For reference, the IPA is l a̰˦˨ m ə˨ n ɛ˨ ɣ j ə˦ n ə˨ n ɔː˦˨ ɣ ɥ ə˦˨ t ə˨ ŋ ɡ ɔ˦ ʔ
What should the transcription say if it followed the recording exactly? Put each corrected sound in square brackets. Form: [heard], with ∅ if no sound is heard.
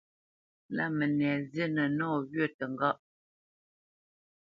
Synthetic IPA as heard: l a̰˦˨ m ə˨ n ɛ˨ [z] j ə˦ n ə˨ n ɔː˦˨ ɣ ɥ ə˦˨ t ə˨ ŋ ɡ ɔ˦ ʔ